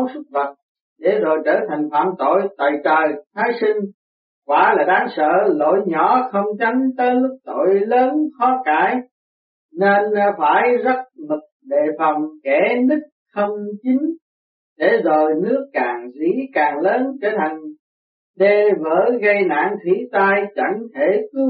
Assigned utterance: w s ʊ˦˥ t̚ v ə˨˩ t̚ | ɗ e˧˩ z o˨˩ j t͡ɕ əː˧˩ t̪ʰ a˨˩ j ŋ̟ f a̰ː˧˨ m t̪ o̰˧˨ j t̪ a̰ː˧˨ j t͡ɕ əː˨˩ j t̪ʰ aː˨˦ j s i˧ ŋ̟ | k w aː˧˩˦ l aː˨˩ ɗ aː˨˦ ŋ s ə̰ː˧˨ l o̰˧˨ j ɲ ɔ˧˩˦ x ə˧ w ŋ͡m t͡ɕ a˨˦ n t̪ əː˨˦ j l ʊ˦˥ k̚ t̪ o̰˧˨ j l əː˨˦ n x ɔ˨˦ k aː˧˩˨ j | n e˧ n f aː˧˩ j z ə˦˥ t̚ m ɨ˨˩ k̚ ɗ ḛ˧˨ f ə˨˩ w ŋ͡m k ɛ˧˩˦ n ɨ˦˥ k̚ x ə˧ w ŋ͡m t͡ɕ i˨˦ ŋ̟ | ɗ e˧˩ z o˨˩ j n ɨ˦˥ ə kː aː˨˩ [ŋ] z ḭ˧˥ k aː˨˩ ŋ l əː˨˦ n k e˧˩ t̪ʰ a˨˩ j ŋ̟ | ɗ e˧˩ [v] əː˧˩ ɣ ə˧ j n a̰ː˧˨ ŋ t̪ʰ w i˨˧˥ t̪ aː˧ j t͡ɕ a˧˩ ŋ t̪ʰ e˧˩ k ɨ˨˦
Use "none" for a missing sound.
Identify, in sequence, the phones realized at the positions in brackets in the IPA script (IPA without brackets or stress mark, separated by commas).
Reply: ŋ, v